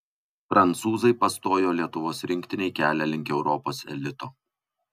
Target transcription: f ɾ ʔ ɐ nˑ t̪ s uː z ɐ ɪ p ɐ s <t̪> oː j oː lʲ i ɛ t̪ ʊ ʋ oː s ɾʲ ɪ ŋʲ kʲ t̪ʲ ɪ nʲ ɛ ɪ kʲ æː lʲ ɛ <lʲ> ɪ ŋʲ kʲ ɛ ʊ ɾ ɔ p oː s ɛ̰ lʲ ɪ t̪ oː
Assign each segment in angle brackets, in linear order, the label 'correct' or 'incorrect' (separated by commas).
correct, correct